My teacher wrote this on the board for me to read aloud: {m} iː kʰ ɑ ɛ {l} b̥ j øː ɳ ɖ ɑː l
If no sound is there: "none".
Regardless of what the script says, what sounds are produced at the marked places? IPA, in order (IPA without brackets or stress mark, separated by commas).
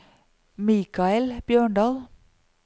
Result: m, l